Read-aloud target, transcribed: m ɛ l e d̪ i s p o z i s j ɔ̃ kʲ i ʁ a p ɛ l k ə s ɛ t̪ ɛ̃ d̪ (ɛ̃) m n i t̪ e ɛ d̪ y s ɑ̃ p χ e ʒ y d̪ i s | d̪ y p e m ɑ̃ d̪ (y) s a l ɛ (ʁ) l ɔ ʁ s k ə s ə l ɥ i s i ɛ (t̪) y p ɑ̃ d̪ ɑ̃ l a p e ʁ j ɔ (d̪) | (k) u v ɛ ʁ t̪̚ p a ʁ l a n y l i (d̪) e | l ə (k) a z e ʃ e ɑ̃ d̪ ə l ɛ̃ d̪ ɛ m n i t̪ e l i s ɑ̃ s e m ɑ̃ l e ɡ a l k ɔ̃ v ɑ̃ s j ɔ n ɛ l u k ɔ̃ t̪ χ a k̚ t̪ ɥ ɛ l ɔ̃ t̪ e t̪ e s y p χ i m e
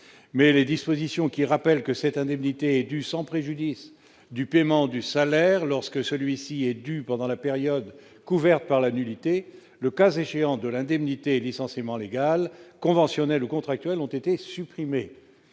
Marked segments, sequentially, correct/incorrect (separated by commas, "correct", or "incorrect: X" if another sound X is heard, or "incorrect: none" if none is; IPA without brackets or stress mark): incorrect: ɛ, correct, correct, incorrect: d̪, correct, correct, incorrect: t̪, correct